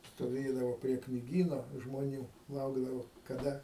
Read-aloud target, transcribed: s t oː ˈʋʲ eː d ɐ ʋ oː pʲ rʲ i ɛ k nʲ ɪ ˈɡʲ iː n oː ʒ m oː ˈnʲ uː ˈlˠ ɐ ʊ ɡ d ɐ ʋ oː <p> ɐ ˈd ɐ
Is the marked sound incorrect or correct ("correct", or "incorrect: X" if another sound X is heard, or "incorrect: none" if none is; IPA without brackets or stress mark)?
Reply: incorrect: k